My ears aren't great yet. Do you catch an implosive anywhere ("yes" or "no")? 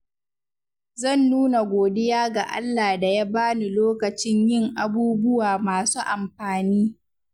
no